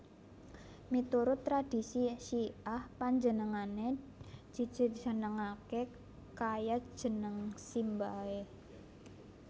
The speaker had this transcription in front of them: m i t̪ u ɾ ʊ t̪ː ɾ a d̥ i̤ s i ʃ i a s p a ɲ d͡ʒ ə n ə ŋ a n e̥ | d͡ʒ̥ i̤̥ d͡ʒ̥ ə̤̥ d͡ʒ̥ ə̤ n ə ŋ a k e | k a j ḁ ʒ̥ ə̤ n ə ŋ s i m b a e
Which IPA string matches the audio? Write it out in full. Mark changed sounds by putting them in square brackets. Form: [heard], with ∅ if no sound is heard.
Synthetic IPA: m i t̪ u ɾ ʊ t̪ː ɾ a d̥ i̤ s i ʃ i a [h] p a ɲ d͡ʒ ə n ə ŋ a n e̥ | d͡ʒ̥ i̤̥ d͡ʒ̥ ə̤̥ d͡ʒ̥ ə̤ n ə ŋ a k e | k a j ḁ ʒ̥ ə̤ n ə ŋ s i m b a e

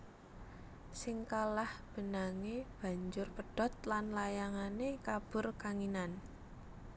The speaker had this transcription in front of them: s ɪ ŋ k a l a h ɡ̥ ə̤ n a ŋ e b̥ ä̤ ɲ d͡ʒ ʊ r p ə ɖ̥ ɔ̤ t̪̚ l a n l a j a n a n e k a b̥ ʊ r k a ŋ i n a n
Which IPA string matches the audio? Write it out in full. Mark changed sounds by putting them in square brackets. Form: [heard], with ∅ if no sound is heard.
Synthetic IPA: s ɪ ŋ k a l a h [b̥] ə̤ n a ŋ e b̥ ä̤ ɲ d͡ʒ ʊ r p ə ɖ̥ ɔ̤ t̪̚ l a n l a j a [ŋ] a n e k a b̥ ʊ r k a ŋ i n a n

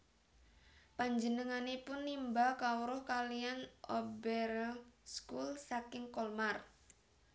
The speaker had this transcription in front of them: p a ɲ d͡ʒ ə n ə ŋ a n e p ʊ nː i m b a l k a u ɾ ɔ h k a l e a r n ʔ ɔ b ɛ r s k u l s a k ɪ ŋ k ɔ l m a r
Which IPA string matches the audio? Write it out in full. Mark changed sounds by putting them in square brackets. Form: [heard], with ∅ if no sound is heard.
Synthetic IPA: p a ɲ d͡ʒ ə n ə ŋ a n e p ʊ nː i m b a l k a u ɾ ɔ h k a l [i] a [∅] n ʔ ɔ b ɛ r s k u l s a k ɪ ŋ k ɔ l m a r

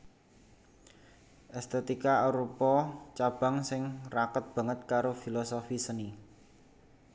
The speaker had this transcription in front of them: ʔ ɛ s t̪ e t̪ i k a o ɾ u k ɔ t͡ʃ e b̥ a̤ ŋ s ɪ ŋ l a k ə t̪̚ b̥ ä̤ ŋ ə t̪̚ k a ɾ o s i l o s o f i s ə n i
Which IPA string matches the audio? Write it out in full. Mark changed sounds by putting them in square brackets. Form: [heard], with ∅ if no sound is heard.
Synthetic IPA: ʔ ɛ s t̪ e t̪ i k a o ɾ u [p] ɔ t͡ʃ [a] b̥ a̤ ŋ s ɪ ŋ [r] a k ə t̪̚ b̥ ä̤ ŋ ə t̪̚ k a ɾ o [f] i l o s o f i s ə n i

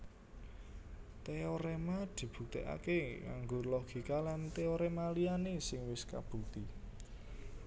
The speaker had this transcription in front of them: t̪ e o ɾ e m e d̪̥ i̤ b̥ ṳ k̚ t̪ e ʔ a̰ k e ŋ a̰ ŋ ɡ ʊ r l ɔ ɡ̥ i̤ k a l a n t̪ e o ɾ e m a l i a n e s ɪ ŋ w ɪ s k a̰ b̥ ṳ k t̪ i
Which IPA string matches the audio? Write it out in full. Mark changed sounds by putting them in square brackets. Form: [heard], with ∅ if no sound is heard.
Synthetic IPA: t̪ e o ɾ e m [a] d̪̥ i̤ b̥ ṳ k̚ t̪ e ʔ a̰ k e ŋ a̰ ŋ ɡ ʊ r l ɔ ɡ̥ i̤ k a l a n t̪ e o ɾ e m a l i a n e s ɪ ŋ w ɪ s k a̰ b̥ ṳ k t̪ i

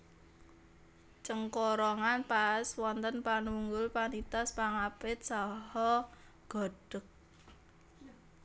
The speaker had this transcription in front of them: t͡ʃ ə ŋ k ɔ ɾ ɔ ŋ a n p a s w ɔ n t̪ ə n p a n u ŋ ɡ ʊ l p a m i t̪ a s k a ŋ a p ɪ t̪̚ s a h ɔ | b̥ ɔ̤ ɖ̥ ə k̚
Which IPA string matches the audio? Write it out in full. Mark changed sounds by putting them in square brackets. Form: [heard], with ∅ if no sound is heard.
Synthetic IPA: t͡ʃ ə ŋ k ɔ ɾ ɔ ŋ a n p a s w ɔ n t̪ ə n p a n u ŋ ɡ ʊ l p a [n] i t̪ a s [p] a ŋ a p ɪ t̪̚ s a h ɔ | [ɡ̥] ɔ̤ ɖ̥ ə k̚

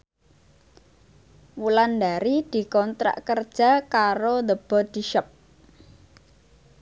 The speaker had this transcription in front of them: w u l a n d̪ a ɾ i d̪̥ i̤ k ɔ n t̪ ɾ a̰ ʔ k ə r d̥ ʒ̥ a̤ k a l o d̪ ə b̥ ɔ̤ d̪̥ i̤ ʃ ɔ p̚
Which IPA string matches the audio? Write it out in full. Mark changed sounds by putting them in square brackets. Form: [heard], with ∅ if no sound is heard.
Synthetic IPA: w u l a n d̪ a ɾ i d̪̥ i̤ k ɔ n t̪ ɾ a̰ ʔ k ə r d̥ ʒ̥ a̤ k a [ɾ] o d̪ ə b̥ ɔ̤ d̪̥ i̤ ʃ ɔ p̚

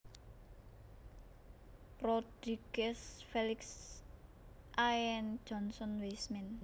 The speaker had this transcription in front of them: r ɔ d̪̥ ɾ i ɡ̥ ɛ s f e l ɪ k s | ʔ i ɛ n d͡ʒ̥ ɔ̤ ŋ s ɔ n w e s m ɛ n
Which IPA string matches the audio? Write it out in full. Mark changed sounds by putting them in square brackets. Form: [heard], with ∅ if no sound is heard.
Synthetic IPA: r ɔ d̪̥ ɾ i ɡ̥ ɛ s f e l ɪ k s | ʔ [a] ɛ n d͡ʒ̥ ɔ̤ [n] s ɔ n w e s m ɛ n

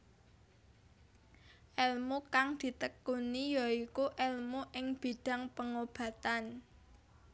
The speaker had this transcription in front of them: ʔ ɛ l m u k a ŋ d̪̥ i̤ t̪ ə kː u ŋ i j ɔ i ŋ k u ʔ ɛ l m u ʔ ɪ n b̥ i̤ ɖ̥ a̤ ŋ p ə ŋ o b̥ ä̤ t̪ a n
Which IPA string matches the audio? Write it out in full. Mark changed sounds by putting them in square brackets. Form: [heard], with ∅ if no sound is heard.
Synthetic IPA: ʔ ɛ l m u k a ŋ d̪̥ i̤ t̪ ə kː u [n] i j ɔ i [∅] k u ʔ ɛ l m u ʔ ɪ [ŋ] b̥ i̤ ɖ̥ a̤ ŋ p ə ŋ o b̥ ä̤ t̪ a n

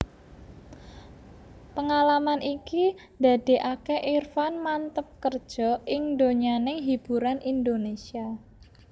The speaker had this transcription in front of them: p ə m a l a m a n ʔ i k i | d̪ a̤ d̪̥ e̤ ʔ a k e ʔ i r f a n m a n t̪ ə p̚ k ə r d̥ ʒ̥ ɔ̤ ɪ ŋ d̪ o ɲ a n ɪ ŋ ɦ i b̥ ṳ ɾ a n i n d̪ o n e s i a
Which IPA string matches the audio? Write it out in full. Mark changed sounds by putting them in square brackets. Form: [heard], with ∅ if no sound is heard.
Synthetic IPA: p ə [ŋ] a l a m a n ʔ i k i | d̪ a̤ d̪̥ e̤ ʔ a k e ʔ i r f a n m a n t̪ ə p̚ k ə r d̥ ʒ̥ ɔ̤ ɪ ŋ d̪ o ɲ a n ɪ ŋ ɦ i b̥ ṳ ɾ a n i n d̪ o n e s i a

